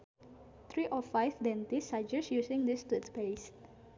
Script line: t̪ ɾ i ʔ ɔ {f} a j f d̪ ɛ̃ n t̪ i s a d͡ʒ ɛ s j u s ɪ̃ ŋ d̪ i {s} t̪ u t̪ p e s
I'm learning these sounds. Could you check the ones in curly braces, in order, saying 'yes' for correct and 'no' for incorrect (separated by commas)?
yes, yes